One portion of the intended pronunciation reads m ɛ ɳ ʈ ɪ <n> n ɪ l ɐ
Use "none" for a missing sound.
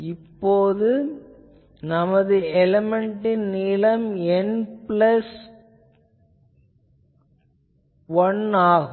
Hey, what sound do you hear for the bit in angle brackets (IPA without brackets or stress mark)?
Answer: n